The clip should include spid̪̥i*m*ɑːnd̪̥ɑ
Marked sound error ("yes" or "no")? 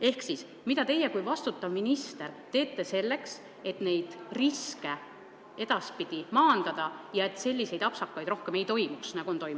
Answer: no